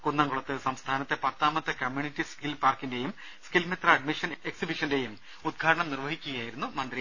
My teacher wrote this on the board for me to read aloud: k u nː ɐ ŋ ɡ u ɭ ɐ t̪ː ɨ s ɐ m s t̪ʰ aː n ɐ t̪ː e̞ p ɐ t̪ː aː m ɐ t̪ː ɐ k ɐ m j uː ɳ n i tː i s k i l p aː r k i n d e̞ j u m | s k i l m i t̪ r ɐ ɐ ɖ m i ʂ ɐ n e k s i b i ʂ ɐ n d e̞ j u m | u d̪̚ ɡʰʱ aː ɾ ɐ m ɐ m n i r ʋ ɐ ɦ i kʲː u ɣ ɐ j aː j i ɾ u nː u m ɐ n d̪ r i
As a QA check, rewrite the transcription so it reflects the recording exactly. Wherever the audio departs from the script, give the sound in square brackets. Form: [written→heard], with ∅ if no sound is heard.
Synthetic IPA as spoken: k u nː ɐ ŋ ɡ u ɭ ɐ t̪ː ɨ s ɐ m s t̪ʰ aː n ɐ t̪ː e̞ p ɐ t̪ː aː m ɐ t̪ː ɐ k ɐ m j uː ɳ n i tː i s k i l p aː r k i n d e̞ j u m | s k i l m i t̪ r ɐ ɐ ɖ m i ʂ ɐ n e k s i b i ʂ ɐ n d e̞ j u m | u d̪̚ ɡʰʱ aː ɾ ɐ [m→ɳ] ɐ m n i r ʋ ɐ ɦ i kʲː u ɣ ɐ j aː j i ɾ u nː u m ɐ n d̪ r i

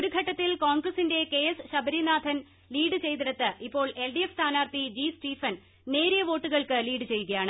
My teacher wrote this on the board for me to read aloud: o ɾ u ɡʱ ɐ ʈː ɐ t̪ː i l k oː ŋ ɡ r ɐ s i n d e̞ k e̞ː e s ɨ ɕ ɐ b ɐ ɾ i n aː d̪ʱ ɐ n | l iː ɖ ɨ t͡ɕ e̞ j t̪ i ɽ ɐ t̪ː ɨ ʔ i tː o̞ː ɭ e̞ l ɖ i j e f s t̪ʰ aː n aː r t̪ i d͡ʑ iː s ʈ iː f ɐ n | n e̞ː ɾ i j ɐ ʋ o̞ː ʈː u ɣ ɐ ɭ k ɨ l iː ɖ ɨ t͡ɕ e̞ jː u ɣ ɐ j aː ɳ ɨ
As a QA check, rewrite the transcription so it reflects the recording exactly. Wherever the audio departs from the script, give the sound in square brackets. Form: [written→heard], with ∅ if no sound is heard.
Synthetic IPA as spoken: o ɾ u ɡʱ ɐ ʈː ɐ t̪ː i l k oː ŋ ɡ r ɐ s i n d e̞ k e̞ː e s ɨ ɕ ɐ b ɐ ɾ i n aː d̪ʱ ɐ n | l iː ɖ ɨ t͡ɕ e̞ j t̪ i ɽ ɐ t̪ː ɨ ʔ i [tː→pː] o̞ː ɭ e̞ l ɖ i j e f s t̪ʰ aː n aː r t̪ i d͡ʑ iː s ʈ iː f ɐ n | n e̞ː ɾ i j ɐ ʋ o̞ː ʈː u ɣ ɐ ɭ k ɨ l iː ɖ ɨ t͡ɕ e̞ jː u ɣ ɐ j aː ɳ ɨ

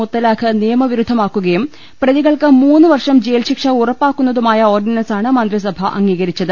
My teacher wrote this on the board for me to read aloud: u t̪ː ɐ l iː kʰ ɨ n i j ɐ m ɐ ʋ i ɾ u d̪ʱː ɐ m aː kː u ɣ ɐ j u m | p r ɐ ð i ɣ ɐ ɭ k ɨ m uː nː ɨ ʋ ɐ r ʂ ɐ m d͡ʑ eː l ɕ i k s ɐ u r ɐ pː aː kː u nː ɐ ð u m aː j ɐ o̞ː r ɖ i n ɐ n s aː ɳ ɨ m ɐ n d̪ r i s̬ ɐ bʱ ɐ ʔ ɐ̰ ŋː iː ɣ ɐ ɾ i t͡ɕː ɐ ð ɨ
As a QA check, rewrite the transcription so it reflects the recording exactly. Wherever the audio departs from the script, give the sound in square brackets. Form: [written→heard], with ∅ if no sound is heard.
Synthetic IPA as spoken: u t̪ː ɐ l [iː→aː] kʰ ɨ n i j ɐ m ɐ ʋ i ɾ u d̪ʱː ɐ m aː kː u ɣ ɐ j u m | p r ɐ ð i ɣ ɐ ɭ k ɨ m uː nː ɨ ʋ ɐ r ʂ ɐ m d͡ʑ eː l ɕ i k [s→ʂ] ɐ u r ɐ pː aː kː u nː ɐ ð u m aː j ɐ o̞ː r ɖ i n ɐ n s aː ɳ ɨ m ɐ n d̪ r i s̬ ɐ bʱ ɐ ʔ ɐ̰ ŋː iː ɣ ɐ ɾ i t͡ɕː ɐ ð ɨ

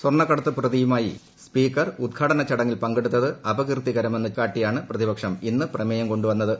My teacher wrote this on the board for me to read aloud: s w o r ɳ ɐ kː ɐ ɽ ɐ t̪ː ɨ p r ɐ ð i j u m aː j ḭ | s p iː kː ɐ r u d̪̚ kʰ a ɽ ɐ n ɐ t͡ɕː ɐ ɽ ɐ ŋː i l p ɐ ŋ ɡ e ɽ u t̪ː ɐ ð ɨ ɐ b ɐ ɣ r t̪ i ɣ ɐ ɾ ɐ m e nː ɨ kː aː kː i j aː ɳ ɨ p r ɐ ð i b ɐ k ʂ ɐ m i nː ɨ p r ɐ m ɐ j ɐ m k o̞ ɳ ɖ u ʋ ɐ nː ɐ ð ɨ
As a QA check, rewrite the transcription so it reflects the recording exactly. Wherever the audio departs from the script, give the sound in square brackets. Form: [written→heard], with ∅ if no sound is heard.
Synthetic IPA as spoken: s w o r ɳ ɐ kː ɐ ɽ ɐ t̪ː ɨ p r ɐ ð i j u m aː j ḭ | s p iː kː ɐ r u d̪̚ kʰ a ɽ ɐ n ɐ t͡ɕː ɐ ɽ ɐ ŋː i l p ɐ ŋ ɡ e ɽ u t̪ː ɐ ð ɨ ɐ b ɐ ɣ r t̪ i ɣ ɐ ɾ ɐ m e nː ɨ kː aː [kː→ʈː] i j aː ɳ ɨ p r ɐ ð i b ɐ k ʂ ɐ m i nː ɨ p r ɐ m ɐ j ɐ m k o̞ ɳ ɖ u ʋ ɐ nː ɐ ð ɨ

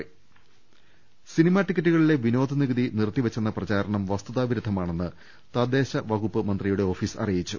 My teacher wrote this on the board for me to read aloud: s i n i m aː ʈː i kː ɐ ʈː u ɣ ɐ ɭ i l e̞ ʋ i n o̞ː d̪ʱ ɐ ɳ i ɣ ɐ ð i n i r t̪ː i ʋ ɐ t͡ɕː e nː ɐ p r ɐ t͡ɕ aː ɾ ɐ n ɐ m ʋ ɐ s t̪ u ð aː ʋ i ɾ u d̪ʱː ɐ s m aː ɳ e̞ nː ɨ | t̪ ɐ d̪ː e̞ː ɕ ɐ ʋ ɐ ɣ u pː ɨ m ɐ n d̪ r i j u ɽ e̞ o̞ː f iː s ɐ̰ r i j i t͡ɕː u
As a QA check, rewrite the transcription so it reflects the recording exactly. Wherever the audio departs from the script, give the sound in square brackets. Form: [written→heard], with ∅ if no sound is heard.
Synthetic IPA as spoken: s i n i m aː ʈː i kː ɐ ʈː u ɣ ɐ ɭ i l e̞ ʋ i n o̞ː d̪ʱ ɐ [ɳ→n] i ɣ ɐ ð i n i r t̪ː i ʋ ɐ t͡ɕː e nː ɐ p r ɐ t͡ɕ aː ɾ ɐ [n→ɳ] ɐ m ʋ ɐ s t̪ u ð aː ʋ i ɾ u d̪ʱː ɐ [s→∅] m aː ɳ e̞ nː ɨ | t̪ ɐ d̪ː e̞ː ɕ ɐ ʋ ɐ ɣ u pː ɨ m ɐ n d̪ r i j u ɽ e̞ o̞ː f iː s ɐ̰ r i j i t͡ɕː u

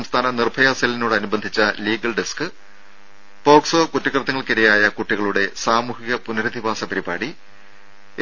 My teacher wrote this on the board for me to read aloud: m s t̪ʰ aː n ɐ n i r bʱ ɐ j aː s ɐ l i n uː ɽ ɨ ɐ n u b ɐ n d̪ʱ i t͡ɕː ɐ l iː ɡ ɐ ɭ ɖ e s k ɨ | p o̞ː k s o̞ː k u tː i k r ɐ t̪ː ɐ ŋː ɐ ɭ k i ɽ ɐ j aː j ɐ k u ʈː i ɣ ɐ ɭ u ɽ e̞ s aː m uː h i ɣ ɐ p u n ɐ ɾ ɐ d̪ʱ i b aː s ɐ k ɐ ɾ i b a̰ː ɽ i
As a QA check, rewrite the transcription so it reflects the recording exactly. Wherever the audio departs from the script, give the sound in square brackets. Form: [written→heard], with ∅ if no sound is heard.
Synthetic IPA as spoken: m s t̪ʰ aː n ɐ n i r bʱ ɐ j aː s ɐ l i n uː ɽ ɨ ɐ n u b ɐ n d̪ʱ i t͡ɕː ɐ l iː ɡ ɐ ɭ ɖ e s k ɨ | p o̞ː k s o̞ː k u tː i k r ɐ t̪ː ɐ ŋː ɐ ɭ k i [ɽ→ɾ] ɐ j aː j ɐ k u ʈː i ɣ ɐ ɭ u ɽ e̞ s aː m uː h i ɣ ɐ p u n ɐ ɾ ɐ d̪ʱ i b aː s ɐ [k→p] ɐ ɾ i b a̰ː ɽ i

